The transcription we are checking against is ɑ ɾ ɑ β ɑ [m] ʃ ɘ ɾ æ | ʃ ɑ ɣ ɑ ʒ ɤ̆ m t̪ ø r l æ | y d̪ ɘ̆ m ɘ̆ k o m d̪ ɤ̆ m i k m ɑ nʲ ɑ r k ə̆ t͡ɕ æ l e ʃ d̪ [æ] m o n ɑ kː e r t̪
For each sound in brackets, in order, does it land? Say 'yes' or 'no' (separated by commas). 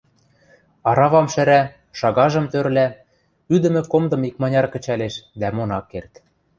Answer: yes, yes